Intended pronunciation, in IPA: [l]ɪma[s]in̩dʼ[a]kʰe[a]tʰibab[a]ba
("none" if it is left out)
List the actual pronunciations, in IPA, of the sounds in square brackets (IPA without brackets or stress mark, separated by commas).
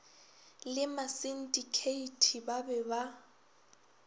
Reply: l, s, i, i, ɛ